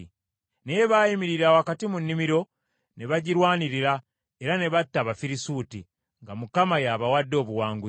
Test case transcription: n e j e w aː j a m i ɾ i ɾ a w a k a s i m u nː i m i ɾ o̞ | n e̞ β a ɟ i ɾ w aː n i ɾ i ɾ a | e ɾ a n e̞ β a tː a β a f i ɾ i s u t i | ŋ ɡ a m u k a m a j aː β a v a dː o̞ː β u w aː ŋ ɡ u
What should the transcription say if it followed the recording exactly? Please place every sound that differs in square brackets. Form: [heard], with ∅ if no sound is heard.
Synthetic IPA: n e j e [β] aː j [i] m i ɾ i ɾ a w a k a [t] i m u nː i m i ɾ o̞ | n e̞ β a ɟ i ɾ w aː n i ɾ i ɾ a | e ɾ a n e̞ β a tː a β a f i ɾ i s u t i | ŋ ɡ a m u k a m a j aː β a [w] a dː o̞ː β u w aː ŋ ɡ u